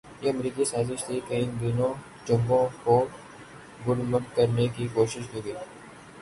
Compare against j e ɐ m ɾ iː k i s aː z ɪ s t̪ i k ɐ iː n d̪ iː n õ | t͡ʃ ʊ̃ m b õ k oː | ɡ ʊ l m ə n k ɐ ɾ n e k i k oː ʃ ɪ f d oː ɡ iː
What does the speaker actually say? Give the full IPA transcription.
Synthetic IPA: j e ɐ m ɾ iː k i s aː z ɪ ʃ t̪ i k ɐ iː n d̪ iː n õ | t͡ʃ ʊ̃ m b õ k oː | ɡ ʊ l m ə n k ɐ ɾ n e k i k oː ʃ ɪ ʃ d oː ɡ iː